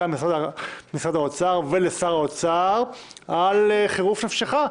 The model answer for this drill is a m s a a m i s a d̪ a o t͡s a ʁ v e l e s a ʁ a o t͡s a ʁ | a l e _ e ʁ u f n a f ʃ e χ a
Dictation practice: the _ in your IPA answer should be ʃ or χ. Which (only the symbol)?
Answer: χ